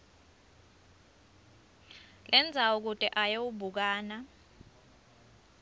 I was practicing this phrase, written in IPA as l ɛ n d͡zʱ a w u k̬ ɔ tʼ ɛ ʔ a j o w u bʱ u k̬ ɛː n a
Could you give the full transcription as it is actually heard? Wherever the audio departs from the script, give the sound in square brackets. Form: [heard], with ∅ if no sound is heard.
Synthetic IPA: l ɛ n d͡zʱ a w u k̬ [u] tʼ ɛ ʔ a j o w u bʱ u k̬ [aː] n a

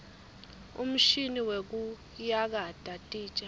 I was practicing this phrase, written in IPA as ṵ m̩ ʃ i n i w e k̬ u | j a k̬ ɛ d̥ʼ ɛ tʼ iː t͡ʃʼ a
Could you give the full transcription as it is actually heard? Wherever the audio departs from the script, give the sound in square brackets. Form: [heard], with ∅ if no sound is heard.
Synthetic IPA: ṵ m̩ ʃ i n i w e k̬ u | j a k̬ [a] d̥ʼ [a] tʼ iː t͡ʃʼ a

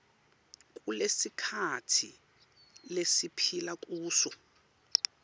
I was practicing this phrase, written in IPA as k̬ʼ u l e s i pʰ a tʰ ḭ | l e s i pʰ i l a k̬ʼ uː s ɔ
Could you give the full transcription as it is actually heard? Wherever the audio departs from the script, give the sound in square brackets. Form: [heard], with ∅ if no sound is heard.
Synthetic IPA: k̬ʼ u l e s i [kʰ] a tʰ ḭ | l e s i pʰ i l a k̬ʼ uː s ɔ

